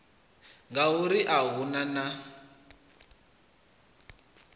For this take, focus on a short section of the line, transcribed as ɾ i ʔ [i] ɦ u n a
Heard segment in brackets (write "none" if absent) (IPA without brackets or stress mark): a